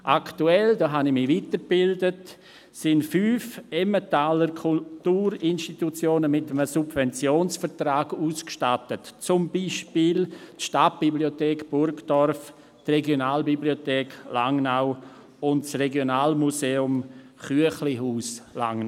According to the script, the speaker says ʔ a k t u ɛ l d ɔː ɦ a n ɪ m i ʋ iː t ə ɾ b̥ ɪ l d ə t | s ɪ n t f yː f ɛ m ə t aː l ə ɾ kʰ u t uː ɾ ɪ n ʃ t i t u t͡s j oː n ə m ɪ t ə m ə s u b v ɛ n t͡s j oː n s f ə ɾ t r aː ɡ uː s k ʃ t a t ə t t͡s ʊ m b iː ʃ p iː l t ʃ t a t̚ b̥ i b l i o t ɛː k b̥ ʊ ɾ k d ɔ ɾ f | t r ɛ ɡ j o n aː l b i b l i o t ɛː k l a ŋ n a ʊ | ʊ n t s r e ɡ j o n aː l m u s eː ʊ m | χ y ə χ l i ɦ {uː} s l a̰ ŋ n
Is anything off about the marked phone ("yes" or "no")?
no